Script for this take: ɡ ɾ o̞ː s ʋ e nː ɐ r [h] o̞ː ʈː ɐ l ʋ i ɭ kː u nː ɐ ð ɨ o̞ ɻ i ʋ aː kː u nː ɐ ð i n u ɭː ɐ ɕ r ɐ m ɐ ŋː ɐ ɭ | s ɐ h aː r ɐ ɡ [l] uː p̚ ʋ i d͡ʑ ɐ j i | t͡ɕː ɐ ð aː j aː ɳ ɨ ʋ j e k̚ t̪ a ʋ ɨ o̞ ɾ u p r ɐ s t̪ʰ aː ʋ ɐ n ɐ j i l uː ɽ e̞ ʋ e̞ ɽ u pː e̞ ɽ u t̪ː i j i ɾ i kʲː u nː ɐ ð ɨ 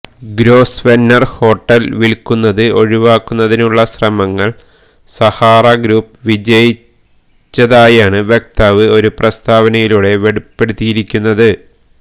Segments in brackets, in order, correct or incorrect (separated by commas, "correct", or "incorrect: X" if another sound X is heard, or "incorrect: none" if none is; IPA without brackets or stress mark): correct, incorrect: ɾ